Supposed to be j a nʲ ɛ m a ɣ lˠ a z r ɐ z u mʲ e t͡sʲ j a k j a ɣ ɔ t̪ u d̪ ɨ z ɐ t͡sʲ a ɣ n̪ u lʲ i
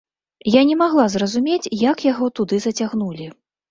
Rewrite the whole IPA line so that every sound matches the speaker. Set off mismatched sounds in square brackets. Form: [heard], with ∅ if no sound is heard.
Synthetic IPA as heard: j a nʲ ɛ m a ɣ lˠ a z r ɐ z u mʲ e t͡sʲ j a k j a ɣ ɔ t̪ u d̪ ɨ z ɐ t͡sʲ a ɣ n̪ u lʲ i